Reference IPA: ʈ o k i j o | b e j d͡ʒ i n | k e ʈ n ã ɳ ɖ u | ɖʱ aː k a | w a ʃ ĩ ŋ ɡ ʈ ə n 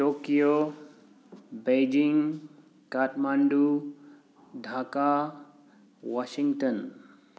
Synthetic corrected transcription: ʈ o k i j o | b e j d͡ʒ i ŋ | k a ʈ m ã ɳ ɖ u | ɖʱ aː k a | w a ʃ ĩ ŋ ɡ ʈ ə n